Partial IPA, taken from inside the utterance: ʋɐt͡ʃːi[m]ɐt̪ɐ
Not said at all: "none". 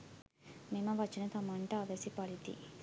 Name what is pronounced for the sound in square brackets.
n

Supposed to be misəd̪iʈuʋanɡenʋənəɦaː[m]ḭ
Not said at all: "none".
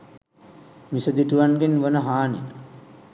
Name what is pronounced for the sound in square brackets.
n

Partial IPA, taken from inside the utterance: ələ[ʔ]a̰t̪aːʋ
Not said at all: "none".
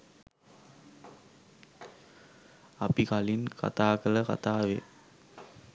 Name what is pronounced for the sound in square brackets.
k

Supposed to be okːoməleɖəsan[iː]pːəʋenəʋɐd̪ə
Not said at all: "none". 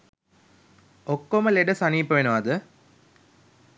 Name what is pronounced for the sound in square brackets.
iː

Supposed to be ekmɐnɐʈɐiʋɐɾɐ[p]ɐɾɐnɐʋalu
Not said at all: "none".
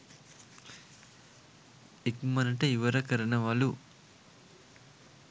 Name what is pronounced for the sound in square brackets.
k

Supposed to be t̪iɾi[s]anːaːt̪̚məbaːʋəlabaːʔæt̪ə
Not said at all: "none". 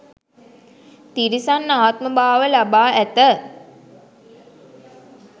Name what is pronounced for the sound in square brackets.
s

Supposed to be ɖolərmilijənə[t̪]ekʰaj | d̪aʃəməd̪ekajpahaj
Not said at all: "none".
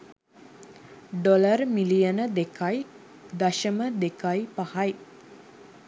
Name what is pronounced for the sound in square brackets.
d̪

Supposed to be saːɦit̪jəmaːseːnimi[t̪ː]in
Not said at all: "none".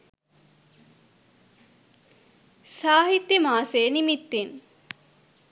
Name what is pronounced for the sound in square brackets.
t̪ː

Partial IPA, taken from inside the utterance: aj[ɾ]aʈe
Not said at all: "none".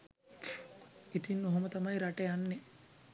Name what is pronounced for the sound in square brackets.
ɾ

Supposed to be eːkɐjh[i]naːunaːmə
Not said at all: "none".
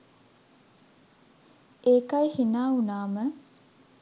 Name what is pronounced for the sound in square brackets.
i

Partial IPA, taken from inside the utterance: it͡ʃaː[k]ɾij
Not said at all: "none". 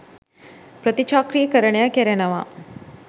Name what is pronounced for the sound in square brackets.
k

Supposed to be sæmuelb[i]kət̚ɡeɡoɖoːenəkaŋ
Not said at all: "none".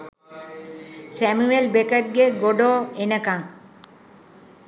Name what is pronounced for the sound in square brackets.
e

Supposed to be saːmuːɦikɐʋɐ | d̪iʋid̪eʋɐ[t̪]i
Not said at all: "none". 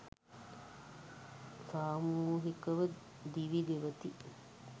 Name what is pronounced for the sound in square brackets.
t̪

